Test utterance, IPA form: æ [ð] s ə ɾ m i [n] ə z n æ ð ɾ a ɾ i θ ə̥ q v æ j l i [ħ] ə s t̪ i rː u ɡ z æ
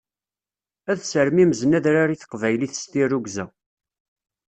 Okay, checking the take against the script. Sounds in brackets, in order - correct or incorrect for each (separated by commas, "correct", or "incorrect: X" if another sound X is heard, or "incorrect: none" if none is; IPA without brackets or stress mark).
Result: correct, incorrect: m, incorrect: θ